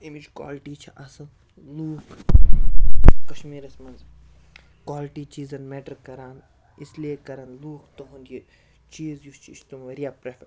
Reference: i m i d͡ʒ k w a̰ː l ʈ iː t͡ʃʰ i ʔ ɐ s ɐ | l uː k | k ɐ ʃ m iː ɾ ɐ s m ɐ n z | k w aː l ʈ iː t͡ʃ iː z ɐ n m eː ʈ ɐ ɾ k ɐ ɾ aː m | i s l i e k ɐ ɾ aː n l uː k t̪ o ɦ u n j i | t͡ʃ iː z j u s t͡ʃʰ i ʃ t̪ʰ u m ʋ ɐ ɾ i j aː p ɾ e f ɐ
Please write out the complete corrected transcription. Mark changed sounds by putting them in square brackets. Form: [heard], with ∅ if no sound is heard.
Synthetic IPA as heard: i m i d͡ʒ k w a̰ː l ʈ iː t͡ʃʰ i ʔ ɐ s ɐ | l uː k | k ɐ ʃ m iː ɾ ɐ s m ɐ n z | k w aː l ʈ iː t͡ʃ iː z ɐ n m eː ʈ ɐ ɾ k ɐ ɾ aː [n] | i s l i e k ɐ ɾ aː n l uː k t̪ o ɦ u n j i | t͡ʃ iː z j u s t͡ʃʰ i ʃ [t̪] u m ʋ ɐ ɾ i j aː p ɾ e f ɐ